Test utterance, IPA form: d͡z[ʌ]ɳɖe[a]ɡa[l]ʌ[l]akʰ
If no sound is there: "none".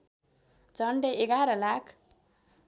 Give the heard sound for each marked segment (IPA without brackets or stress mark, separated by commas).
ʌ, e, ɾ, l